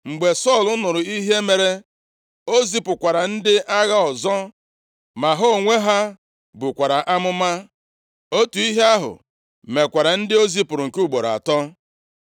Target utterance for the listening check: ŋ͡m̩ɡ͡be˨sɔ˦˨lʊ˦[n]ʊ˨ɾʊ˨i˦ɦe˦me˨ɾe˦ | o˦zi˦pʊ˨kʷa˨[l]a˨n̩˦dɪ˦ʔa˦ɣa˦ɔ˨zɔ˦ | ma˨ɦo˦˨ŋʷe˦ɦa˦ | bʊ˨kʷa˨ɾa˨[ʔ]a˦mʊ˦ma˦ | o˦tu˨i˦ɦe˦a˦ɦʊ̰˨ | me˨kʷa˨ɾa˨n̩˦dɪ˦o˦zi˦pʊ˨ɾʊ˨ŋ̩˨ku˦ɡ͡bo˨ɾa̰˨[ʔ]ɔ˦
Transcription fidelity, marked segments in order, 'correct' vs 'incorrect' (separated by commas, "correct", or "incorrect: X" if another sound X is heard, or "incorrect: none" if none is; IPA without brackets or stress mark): correct, incorrect: ɾ, correct, incorrect: t